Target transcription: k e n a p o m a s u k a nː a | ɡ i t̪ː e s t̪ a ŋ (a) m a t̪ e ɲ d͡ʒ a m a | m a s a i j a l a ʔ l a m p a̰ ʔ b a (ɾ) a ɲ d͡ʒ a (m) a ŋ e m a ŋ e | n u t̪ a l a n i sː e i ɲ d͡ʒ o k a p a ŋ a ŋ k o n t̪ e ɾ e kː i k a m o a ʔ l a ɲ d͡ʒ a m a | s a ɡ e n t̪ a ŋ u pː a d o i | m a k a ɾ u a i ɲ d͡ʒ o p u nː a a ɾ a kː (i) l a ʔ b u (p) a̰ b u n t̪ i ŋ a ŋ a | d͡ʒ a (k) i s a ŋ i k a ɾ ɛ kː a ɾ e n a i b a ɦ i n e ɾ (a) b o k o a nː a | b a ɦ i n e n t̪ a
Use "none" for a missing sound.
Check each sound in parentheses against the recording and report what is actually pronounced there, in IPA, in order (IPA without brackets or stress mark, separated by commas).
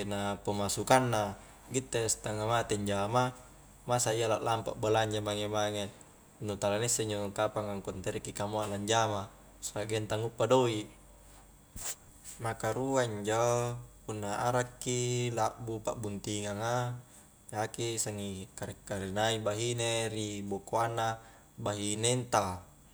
a, l, m, i, p, k, i